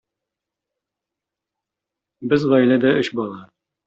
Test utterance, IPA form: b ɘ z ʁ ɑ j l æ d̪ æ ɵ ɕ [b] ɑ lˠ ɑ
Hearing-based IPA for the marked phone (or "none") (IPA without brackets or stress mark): b